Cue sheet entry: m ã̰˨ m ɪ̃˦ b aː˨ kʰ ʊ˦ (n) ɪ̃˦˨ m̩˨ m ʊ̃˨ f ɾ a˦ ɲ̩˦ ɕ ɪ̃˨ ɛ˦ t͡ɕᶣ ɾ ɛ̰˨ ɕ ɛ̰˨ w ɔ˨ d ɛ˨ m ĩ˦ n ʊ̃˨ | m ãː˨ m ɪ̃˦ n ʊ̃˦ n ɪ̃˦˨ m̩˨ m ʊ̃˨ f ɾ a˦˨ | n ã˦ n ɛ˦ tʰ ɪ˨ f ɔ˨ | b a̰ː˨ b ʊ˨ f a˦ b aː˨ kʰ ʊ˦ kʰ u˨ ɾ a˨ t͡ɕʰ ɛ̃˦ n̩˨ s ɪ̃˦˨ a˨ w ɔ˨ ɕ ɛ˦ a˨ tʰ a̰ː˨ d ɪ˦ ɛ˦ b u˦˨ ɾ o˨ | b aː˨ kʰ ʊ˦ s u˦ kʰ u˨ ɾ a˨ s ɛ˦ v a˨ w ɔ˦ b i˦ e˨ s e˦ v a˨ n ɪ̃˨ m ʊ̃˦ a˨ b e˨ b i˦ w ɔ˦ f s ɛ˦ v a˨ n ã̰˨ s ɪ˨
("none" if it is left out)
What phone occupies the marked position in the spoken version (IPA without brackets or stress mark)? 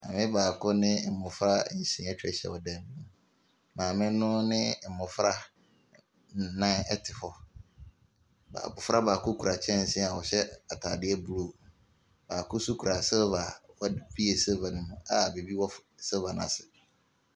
n